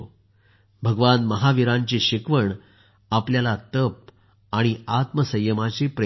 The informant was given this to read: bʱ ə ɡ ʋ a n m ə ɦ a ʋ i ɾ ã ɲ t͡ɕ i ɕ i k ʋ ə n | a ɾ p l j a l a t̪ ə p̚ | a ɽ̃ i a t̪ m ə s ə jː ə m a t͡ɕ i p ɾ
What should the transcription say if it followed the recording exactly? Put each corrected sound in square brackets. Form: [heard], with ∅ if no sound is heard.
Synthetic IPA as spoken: bʱ ə ɡ ʋ a n m ə ɦ a ʋ i ɾ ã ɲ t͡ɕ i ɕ i k ʋ ə [ɳ] | a [∅] p l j a l a t̪ ə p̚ | a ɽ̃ i a t̪ m ə s ə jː ə m a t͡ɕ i p ɾ